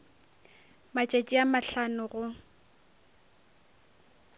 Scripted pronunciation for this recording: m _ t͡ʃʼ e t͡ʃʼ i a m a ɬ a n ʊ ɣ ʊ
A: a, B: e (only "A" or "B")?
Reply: A